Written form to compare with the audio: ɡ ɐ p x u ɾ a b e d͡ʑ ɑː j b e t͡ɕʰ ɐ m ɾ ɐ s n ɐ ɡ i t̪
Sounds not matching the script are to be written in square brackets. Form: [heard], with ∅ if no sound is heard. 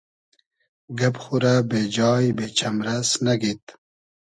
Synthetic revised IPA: ɡ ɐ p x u ɾ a b e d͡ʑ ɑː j b e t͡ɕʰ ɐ m ɾ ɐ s n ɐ ɡ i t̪